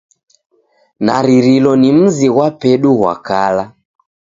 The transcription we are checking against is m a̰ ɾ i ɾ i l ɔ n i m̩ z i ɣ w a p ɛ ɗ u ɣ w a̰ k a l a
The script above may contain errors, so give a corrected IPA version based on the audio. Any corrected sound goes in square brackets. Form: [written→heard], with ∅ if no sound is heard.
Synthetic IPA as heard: [m→n] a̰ ɾ i ɾ i l ɔ n i m̩ z i ɣ w a p ɛ ɗ u ɣ w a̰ k a l a